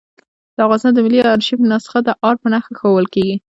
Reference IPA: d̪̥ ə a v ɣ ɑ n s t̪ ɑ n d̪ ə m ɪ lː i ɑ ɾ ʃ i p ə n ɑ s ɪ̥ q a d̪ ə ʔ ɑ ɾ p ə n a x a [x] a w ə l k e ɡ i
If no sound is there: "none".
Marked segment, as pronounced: x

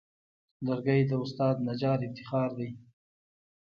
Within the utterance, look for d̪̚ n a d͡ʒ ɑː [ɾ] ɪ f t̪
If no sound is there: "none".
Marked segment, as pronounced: ɾ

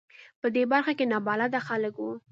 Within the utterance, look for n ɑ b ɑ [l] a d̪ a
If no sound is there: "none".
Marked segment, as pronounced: l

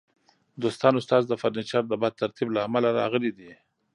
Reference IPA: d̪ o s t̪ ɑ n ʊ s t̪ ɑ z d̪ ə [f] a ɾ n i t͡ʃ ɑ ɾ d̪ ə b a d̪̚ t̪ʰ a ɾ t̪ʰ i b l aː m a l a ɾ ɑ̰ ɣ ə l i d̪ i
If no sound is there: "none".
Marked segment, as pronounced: f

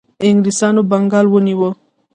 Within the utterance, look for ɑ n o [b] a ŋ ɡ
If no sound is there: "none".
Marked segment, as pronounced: b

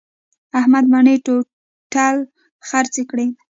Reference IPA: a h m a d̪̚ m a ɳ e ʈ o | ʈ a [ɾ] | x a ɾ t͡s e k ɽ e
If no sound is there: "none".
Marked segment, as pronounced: l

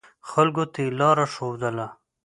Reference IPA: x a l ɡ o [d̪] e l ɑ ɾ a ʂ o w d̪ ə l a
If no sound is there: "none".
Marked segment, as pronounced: t̪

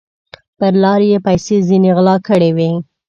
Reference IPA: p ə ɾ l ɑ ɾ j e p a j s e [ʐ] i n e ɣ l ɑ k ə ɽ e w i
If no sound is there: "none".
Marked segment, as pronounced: z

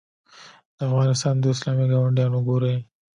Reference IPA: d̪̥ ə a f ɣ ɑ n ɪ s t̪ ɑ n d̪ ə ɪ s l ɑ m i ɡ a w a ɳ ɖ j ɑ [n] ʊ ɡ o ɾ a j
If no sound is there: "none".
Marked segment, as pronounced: n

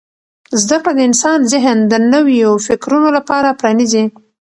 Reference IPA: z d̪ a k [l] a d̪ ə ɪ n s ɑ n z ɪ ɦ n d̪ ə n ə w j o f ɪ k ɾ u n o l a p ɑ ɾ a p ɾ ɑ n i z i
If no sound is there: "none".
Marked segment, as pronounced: ɽ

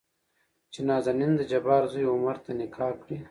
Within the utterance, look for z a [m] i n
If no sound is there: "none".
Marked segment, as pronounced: n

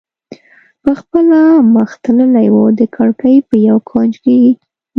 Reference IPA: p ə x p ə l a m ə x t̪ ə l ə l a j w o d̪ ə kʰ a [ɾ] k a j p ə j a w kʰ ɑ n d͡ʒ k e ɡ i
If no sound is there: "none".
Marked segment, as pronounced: ɽ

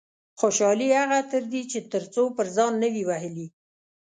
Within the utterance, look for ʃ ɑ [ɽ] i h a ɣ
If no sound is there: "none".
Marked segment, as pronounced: l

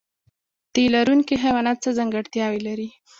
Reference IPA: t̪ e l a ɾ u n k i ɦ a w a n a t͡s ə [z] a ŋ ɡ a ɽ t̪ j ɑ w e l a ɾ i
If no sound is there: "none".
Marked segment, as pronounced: z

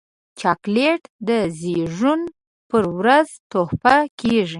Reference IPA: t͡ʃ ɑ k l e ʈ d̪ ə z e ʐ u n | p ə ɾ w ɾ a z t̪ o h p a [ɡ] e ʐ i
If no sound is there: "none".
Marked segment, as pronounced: k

